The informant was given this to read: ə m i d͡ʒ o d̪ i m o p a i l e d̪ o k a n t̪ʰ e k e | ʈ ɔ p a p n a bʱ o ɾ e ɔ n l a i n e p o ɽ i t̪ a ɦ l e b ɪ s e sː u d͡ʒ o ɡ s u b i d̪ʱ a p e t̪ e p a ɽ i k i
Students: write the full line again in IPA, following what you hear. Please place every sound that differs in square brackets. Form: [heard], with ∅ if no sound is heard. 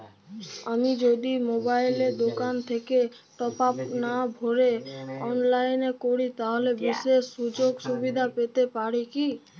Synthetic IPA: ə m i d͡ʒ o d̪ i m o [b] a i l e d̪ o k a n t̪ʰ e k e | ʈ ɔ p a p n a bʱ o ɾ e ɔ n l a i n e [k] o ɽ i t̪ a ɦ l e b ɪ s e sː u d͡ʒ o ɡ s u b i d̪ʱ a p e t̪ e p a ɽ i k i